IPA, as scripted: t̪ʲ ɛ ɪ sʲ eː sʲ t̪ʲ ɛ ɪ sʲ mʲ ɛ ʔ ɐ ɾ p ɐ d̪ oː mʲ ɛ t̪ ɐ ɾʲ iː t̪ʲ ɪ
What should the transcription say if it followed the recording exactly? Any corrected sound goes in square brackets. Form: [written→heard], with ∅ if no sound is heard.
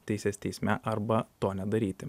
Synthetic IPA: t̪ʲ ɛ ɪ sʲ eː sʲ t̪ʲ ɛ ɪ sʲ mʲ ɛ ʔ ɐ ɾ [p→b] ɐ [d̪→t̪] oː [mʲ→nʲ] ɛ [t̪→d̪] ɐ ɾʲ iː t̪ʲ ɪ